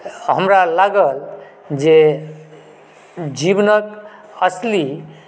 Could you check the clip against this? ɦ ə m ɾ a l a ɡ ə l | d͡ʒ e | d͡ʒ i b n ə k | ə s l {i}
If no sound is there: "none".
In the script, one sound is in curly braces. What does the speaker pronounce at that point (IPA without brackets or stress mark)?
i